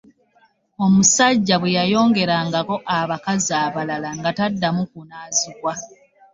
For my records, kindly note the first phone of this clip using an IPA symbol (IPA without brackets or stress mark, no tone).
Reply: o